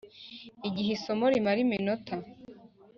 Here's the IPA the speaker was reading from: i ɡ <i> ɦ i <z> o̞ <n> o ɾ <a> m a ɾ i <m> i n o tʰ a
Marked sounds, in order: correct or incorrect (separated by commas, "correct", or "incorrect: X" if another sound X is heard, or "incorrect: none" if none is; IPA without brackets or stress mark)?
correct, incorrect: s, incorrect: m, incorrect: i, correct